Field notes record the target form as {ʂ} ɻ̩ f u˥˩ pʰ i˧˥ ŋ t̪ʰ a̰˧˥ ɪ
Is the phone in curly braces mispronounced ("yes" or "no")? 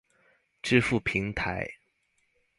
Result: yes